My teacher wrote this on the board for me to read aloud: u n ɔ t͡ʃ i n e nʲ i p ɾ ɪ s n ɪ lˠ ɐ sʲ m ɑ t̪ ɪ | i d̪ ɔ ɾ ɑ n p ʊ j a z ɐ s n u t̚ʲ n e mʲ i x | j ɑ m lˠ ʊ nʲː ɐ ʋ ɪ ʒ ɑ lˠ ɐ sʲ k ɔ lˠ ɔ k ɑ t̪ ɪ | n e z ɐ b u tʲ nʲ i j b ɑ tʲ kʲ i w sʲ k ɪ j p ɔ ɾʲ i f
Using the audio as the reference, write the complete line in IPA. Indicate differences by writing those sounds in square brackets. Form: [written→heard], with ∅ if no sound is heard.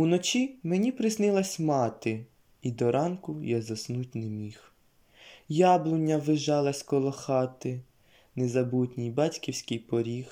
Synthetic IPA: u n ɔ t͡ʃ i [n→m] e nʲ i p ɾ ɪ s n ɪ lˠ ɐ sʲ m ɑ t̪ ɪ | i d̪ ɔ ɾ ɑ n [p→k] ʊ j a z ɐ s n u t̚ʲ n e mʲ i x | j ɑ [m→b] lˠ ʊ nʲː ɐ ʋ ɪ ʒ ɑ lˠ ɐ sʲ k ɔ lˠ ɔ [k→x] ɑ t̪ ɪ | n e z ɐ b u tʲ nʲ i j b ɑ tʲ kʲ i w sʲ k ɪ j p ɔ ɾʲ i [f→x]